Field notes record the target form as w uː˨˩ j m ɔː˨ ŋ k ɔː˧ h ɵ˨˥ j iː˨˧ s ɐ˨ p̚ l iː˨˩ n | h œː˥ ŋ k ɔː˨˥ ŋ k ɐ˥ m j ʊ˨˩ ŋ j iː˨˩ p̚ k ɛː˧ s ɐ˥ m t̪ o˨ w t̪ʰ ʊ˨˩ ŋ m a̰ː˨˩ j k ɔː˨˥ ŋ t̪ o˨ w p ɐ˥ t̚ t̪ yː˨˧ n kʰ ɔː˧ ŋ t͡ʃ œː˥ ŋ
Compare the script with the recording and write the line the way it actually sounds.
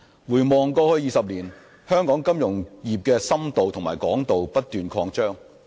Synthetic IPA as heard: w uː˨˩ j m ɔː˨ ŋ k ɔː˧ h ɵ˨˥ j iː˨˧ s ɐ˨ p̚ l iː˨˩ n | h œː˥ ŋ k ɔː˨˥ ŋ k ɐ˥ m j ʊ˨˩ ŋ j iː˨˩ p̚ k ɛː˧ s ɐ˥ m t̪ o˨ w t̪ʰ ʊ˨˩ ŋ m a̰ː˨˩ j k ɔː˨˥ ŋ t̪ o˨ w p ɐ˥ t̚ t̪ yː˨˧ n kʰ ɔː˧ ŋ t͡ʃ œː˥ ŋ